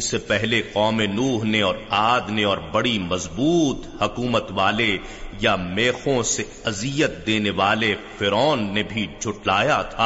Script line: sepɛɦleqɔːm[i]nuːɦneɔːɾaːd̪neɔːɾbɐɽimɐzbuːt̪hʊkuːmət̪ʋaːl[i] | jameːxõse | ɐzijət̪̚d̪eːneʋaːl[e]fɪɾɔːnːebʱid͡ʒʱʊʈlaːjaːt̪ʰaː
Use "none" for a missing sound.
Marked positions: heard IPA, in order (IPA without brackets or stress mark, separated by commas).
e, e, e